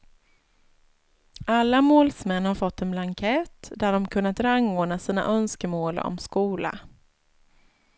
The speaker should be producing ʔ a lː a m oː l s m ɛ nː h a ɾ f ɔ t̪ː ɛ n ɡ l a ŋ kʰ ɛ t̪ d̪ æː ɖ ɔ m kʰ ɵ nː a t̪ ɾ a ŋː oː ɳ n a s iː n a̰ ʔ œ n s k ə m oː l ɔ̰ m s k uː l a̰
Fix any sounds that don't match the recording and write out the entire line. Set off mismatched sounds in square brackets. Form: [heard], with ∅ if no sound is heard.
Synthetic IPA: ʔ a lː a m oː l s m ɛ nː h a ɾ f ɔ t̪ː ɛ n [b] l a ŋ kʰ ɛ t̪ d̪ [æ] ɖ ɔ m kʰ ɵ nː a t̪ ɾ a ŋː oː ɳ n a s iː n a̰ ʔ œ n s k ə m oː l ɔ̰ m s k uː l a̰